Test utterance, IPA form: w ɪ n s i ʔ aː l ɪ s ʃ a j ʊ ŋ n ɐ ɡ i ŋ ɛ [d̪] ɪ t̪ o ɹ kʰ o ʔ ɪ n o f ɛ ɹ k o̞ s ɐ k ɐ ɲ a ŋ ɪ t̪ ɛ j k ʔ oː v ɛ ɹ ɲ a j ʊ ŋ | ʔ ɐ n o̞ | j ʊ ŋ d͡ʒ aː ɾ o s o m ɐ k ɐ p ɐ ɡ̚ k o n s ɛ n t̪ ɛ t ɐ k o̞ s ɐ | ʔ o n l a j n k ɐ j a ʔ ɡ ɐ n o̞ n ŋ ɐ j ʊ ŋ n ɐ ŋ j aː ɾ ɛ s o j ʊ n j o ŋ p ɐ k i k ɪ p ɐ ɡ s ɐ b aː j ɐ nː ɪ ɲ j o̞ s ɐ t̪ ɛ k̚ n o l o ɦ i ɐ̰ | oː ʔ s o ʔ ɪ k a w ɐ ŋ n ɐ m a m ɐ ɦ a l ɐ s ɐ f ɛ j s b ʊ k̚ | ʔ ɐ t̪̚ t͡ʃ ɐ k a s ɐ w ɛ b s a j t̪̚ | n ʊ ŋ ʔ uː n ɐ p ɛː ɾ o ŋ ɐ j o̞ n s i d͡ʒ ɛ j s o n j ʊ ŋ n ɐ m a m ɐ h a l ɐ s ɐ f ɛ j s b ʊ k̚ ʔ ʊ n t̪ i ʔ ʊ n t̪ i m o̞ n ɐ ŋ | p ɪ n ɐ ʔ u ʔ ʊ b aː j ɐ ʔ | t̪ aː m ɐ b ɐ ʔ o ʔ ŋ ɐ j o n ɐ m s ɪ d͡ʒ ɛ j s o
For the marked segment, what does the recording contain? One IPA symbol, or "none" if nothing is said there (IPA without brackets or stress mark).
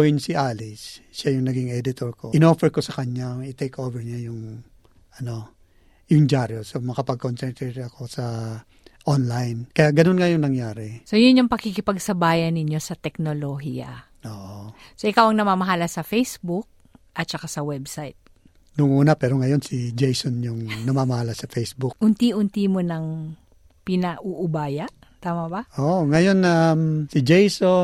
d̪